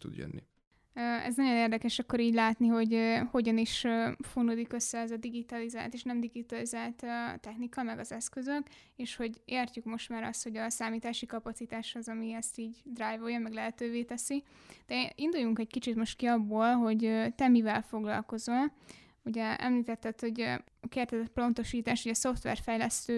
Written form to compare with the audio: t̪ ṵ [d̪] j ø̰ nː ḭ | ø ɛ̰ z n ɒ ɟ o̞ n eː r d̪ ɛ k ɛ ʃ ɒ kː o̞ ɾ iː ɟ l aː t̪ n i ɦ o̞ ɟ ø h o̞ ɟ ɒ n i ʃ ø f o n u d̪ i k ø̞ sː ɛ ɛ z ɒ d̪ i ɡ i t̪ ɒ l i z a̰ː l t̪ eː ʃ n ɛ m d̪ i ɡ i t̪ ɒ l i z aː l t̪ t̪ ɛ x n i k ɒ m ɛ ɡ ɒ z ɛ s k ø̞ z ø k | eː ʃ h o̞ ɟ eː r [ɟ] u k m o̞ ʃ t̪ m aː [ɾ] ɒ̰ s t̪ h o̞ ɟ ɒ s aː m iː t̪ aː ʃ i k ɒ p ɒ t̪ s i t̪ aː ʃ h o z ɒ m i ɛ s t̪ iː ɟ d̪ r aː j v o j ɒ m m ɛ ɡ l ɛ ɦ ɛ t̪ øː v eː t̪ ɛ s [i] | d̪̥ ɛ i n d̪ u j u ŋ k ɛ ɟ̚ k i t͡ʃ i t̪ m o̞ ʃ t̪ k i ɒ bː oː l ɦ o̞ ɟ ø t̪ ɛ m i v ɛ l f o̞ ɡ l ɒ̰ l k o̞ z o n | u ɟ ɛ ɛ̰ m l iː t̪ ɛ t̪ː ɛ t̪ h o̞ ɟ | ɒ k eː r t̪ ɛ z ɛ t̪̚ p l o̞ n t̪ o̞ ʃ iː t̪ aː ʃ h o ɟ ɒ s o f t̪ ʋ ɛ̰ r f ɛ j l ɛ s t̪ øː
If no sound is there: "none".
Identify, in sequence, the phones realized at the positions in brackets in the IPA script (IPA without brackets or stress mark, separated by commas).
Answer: d̪, c, ɾ, i